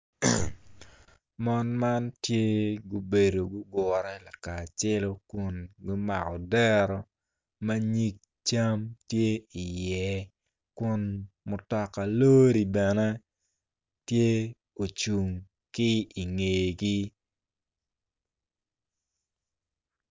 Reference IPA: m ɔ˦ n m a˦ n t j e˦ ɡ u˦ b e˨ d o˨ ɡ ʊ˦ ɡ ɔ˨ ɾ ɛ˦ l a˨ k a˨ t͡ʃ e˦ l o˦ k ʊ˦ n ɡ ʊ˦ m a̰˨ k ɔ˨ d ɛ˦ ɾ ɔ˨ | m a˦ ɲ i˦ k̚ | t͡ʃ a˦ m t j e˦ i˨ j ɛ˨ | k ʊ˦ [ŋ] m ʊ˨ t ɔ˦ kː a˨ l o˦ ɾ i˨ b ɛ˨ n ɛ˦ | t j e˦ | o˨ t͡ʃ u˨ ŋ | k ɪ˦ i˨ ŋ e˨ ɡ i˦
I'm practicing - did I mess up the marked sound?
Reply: yes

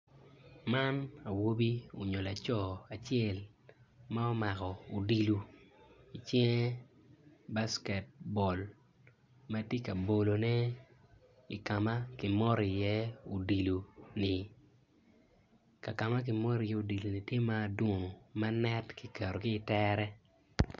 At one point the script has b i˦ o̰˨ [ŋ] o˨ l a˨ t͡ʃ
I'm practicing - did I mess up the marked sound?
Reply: yes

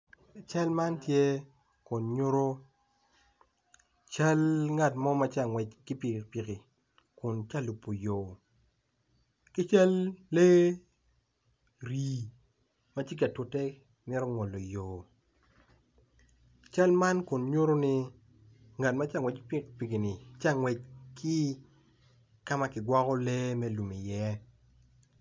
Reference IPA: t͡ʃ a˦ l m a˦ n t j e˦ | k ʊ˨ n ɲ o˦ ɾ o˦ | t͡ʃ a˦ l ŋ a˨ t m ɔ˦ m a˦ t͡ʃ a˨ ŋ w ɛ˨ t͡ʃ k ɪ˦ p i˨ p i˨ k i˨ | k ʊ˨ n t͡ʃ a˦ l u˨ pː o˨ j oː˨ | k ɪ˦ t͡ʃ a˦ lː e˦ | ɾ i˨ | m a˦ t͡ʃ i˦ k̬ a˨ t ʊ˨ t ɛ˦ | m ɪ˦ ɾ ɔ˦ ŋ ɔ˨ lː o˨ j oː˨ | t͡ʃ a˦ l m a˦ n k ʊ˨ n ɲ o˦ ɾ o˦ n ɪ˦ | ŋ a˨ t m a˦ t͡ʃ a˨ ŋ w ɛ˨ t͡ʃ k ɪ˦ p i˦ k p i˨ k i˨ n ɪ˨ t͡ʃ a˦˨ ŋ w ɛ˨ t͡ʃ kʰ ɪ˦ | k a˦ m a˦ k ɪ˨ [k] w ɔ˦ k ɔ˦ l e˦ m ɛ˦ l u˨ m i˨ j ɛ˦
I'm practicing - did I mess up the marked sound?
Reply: yes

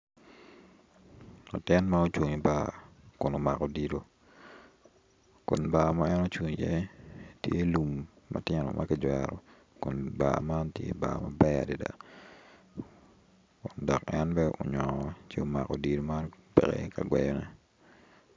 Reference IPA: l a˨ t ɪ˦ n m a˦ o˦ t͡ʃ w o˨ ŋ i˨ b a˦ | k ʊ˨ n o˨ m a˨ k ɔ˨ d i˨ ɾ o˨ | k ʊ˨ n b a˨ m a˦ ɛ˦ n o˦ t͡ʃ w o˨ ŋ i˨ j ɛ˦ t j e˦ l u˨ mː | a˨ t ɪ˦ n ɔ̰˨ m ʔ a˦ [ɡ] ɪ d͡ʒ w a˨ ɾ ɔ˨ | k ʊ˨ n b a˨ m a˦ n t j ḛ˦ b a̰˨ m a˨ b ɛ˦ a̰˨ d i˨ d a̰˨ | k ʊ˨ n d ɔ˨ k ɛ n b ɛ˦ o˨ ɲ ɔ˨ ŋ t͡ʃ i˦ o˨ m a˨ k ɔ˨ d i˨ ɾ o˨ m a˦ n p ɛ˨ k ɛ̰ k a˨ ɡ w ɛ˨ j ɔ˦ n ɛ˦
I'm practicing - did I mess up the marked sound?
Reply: yes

